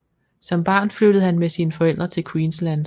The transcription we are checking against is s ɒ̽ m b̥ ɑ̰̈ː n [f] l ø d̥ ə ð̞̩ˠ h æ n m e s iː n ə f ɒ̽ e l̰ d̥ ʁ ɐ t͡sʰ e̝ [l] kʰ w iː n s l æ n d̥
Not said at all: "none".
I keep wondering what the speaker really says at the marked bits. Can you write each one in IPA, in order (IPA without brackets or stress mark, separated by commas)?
f, l